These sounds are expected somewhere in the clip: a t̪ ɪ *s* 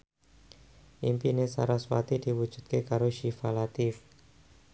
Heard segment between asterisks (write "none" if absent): f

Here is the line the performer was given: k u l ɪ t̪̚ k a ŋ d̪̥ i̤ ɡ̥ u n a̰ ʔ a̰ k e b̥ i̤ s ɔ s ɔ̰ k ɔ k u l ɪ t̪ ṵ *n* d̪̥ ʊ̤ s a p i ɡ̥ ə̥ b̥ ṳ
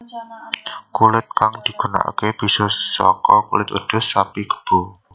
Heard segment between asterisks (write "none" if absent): none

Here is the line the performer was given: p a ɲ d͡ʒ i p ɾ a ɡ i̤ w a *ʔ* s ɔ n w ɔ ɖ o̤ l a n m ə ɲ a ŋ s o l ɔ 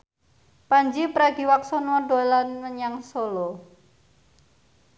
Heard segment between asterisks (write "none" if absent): k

